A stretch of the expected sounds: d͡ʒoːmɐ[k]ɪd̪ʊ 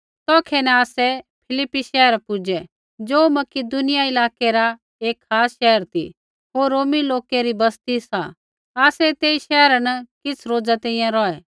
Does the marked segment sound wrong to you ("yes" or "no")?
no